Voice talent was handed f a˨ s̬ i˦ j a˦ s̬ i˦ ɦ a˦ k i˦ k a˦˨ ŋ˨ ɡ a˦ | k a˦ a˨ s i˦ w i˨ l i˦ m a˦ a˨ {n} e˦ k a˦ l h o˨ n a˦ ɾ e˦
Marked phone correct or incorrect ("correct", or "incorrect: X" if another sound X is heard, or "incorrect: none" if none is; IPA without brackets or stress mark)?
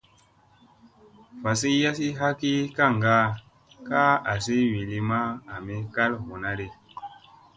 incorrect: m